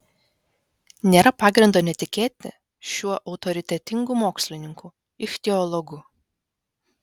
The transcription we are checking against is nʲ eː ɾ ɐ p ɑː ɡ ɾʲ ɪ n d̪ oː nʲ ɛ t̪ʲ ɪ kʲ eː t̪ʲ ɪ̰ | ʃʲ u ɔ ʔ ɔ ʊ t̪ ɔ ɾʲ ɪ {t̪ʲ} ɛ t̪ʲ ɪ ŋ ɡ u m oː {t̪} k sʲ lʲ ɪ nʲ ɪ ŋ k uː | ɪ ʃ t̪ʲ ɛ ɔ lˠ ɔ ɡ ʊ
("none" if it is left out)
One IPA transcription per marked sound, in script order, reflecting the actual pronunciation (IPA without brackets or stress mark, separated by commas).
t̪ʲ, none